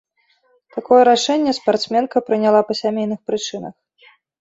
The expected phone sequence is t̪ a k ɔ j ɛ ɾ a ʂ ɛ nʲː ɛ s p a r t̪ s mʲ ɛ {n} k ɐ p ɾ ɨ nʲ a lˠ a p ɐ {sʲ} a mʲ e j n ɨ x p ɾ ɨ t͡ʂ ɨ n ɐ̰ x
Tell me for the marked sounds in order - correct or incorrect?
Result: correct, correct

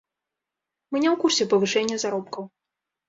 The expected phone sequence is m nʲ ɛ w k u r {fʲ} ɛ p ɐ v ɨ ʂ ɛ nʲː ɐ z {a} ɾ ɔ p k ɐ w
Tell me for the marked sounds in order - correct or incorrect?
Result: incorrect, correct

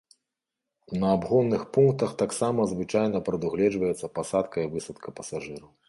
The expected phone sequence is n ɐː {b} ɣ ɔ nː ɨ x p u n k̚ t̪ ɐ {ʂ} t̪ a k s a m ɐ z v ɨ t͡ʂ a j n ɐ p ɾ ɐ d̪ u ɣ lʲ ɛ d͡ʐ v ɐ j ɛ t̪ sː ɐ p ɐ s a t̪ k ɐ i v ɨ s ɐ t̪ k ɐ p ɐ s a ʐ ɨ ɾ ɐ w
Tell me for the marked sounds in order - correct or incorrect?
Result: correct, incorrect

